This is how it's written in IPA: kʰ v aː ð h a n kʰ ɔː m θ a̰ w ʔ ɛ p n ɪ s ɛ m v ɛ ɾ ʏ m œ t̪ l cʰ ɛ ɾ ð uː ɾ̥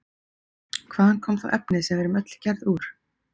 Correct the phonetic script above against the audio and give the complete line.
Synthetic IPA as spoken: kʰ v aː ð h a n kʰ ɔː m θ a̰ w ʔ ɛ p n ɪ s ɛ m v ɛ ɾ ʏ m œ t̪ l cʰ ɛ ɾ ð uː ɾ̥